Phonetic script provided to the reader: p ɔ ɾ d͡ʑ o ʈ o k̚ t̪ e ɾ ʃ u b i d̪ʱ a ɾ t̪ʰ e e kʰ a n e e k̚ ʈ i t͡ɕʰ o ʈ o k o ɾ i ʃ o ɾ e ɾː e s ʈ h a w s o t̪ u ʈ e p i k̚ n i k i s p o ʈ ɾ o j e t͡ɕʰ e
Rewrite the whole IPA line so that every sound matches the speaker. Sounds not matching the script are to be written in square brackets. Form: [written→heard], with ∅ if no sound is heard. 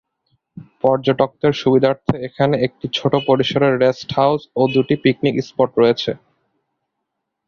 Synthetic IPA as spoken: p ɔ ɾ d͡ʑ o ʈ o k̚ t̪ e ɾ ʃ u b i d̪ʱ a ɾ t̪ʰ e e kʰ a n e e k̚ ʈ i t͡ɕʰ o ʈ o [k→p] o ɾ i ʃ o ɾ e ɾː e s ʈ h a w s o [t̪→d̪] u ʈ [e→i] p i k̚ n i k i s p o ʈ ɾ o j e t͡ɕʰ e